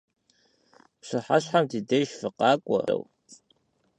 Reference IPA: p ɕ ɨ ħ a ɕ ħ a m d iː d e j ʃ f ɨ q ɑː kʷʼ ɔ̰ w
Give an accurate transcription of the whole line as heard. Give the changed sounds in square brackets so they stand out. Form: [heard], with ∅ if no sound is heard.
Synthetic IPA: p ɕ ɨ ħ a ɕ ħ a m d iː d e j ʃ f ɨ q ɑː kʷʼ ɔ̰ w